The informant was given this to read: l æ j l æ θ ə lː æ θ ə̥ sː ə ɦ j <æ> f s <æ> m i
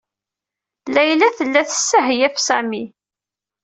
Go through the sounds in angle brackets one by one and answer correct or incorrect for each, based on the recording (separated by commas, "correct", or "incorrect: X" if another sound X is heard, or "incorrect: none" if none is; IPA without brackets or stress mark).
correct, correct